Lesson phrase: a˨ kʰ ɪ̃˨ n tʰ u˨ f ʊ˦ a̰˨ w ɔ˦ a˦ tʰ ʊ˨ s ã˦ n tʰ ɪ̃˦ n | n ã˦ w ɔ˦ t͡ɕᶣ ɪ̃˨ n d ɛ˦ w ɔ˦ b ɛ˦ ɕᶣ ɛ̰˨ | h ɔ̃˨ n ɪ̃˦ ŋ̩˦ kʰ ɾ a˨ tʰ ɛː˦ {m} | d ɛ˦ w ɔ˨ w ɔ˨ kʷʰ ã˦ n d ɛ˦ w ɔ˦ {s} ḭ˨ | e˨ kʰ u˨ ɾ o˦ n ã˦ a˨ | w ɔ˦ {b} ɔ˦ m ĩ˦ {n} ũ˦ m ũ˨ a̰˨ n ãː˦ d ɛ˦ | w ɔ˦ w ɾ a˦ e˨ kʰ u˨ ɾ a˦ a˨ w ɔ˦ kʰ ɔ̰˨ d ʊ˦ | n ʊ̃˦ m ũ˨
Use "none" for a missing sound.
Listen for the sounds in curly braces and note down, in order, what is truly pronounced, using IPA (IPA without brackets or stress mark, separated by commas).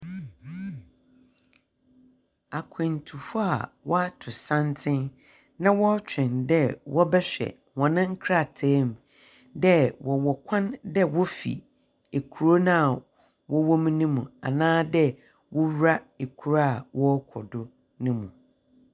m, f, w, n